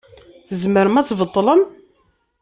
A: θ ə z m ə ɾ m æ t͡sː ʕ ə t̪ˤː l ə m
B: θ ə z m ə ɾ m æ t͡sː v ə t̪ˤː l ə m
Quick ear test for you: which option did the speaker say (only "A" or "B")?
B